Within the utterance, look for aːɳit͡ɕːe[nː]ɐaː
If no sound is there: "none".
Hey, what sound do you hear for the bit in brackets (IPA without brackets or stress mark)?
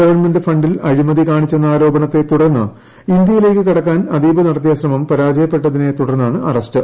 nː